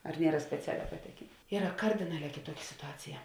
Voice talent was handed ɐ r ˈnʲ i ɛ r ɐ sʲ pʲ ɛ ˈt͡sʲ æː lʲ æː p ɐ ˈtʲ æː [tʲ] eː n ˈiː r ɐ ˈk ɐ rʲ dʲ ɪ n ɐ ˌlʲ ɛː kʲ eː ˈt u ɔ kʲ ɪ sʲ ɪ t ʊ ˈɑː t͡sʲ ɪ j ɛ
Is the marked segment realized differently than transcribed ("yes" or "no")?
yes